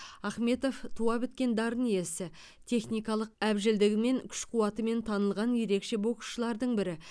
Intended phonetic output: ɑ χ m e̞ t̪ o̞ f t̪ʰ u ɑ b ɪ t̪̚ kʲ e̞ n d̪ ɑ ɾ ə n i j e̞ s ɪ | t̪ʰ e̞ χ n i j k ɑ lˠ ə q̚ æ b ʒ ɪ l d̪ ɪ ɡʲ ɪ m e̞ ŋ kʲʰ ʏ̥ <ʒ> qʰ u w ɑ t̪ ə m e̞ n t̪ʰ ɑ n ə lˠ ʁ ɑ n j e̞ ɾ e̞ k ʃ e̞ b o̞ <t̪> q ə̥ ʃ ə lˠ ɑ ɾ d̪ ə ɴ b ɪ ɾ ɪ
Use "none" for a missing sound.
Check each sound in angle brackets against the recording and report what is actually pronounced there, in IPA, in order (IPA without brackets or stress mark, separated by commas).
ʃ, none